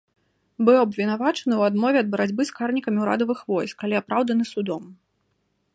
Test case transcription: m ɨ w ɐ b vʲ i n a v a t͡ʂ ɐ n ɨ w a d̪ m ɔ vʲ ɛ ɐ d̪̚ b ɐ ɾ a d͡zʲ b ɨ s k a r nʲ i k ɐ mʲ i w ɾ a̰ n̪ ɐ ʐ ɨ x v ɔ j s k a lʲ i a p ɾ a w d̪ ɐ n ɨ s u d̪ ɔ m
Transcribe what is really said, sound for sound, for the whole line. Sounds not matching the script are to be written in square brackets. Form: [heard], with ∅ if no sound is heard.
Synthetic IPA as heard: [b] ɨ w ɐ b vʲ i n a v a t͡ʂ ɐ n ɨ w a d̪ m ɔ vʲ ɛ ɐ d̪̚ b ɐ ɾ a d͡zʲ b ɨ s k a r nʲ i k ɐ mʲ i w ɾ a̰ [d̪] ɐ [v] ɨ x v ɔ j s k a lʲ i a p ɾ a w d̪ ɐ n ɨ s u d̪ ɔ m